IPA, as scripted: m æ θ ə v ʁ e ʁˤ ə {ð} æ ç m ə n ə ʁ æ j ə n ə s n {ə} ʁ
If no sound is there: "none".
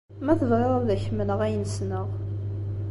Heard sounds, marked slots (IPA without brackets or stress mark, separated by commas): ð, ə